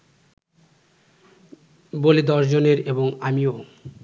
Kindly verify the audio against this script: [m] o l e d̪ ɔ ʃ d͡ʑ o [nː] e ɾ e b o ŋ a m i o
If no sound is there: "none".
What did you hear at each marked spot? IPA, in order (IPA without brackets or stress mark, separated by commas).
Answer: b, n